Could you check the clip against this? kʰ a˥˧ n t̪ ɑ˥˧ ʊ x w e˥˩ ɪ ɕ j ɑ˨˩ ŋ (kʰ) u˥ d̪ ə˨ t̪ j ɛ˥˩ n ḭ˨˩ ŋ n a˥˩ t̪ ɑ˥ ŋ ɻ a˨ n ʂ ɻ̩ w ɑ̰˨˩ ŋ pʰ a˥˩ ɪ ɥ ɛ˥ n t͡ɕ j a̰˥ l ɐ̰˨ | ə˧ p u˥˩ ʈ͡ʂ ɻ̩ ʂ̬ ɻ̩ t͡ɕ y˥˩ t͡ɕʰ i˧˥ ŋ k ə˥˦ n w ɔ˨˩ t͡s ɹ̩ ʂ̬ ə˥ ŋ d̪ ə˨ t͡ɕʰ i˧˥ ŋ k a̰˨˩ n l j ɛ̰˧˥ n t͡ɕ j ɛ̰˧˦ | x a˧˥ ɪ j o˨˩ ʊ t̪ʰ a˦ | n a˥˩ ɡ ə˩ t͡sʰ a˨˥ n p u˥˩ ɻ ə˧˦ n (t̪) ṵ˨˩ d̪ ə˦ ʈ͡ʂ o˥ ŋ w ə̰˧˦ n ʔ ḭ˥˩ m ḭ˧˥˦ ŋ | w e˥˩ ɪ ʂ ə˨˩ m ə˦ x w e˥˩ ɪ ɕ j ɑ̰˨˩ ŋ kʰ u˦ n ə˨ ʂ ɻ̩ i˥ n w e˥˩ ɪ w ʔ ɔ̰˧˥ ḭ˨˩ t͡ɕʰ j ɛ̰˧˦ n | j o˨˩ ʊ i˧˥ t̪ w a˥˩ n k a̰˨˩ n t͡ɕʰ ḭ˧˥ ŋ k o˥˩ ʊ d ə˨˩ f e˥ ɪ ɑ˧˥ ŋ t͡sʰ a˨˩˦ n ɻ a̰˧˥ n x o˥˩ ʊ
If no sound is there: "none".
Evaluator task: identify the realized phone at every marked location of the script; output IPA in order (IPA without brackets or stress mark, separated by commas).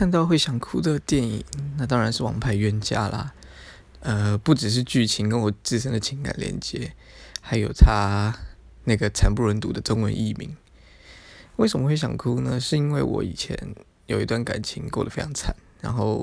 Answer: kʰ, t̪